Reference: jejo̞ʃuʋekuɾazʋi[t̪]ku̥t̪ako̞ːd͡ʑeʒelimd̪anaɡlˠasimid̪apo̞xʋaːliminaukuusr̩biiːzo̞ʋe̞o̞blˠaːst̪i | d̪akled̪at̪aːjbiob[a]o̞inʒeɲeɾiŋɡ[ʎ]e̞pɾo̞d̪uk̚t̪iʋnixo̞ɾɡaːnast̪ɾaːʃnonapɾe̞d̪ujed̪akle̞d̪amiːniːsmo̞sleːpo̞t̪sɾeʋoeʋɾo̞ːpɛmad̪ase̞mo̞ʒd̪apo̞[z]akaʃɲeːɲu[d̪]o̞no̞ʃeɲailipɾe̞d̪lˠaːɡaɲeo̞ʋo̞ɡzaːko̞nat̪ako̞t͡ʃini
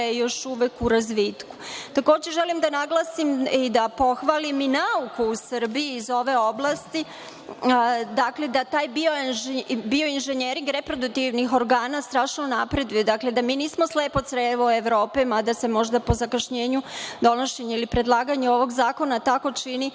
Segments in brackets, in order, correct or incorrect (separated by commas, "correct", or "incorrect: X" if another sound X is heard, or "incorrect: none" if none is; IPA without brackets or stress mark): correct, incorrect: i, incorrect: ɾ, correct, correct